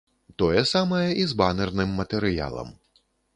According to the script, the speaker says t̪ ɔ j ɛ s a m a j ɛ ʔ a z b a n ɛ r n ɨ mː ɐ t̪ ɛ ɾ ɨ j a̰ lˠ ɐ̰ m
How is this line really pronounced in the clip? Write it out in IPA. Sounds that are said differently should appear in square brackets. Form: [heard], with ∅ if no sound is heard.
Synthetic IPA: t̪ ɔ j ɛ s a m [ɐ] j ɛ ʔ [i] z b a n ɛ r n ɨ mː ɐ t̪ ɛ ɾ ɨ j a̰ lˠ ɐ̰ m